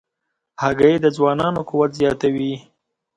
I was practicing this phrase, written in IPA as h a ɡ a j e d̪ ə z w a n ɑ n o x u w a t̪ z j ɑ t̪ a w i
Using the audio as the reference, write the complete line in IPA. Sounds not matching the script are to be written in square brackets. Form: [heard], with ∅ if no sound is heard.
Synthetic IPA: h a ɡ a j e d̪ ə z w [ɑ] n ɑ n o [k] u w a t̪ z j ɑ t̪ a w i